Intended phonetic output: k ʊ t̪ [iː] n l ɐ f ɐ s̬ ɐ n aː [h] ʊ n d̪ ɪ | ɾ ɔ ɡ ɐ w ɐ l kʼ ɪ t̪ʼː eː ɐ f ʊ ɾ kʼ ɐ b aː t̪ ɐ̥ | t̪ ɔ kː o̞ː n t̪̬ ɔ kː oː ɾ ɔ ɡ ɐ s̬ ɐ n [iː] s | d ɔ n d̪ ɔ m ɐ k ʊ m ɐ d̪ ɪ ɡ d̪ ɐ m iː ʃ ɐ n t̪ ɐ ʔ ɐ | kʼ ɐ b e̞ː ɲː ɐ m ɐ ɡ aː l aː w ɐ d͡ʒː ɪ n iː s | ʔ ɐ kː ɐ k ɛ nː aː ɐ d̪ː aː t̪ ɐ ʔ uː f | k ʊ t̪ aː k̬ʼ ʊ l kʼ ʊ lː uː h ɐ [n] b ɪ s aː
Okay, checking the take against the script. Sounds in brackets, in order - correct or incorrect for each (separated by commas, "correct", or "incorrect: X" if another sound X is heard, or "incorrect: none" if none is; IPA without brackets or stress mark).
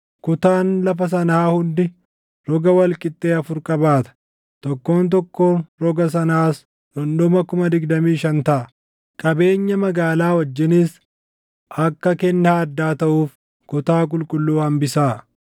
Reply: incorrect: aː, correct, incorrect: aː, incorrect: m